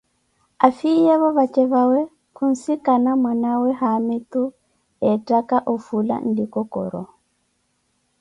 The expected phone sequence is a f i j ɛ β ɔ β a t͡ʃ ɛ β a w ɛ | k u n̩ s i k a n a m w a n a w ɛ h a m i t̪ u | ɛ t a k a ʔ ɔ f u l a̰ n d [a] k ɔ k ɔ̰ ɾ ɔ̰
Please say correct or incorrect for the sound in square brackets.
incorrect